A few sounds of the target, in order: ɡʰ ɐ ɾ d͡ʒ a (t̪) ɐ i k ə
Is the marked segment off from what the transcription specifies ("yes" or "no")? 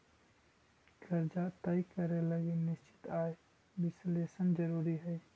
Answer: no